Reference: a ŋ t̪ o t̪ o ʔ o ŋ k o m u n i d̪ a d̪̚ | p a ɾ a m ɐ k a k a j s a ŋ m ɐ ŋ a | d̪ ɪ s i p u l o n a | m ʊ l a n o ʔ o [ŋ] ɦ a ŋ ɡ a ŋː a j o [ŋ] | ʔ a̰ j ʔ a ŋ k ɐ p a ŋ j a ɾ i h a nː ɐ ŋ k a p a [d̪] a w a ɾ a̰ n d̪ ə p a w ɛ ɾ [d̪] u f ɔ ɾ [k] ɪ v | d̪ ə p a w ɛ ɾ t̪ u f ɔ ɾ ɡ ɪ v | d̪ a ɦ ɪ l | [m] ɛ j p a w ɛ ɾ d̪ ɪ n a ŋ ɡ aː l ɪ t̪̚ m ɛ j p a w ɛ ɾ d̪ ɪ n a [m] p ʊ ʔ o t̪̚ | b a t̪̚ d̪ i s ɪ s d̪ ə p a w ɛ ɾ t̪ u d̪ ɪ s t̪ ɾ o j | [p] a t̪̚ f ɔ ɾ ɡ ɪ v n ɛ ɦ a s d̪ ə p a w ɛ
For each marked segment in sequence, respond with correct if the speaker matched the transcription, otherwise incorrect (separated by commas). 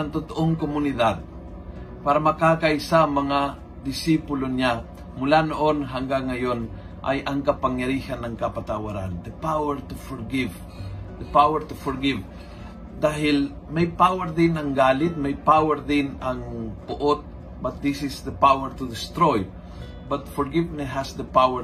incorrect, incorrect, incorrect, incorrect, incorrect, correct, incorrect, incorrect